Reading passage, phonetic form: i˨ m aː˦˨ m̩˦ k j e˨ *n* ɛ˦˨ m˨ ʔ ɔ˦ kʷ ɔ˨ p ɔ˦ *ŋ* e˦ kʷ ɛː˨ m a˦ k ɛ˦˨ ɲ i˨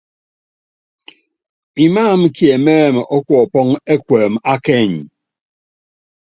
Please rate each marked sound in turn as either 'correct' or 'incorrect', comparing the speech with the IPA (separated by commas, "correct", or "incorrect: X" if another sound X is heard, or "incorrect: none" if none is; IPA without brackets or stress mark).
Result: incorrect: m, correct